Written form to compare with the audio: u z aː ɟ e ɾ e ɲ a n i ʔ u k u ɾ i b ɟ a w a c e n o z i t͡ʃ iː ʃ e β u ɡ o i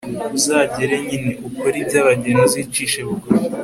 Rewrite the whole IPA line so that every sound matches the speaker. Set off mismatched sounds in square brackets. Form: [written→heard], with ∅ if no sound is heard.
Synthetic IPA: u z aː ɟ e ɾ e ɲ [a→i] n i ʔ u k [u→o] ɾ i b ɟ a [w→β] a [c→ɟ] e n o z i t͡ʃ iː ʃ e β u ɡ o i